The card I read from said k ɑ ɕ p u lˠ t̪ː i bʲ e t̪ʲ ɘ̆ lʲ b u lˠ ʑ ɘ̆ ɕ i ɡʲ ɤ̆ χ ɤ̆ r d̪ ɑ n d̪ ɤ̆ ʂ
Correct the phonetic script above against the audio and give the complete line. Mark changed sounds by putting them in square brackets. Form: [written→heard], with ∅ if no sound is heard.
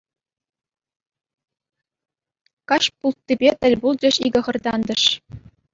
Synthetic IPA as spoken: k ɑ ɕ p u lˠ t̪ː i bʲ e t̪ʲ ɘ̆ lʲ b u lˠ [ʑ→d͡ʑ] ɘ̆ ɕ i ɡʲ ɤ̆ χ ɤ̆ r d̪ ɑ n d̪ ɤ̆ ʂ